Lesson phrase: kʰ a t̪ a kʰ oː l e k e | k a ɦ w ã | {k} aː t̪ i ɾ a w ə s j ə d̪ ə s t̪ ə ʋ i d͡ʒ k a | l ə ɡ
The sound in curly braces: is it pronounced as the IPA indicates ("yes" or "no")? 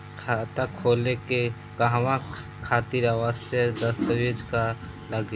no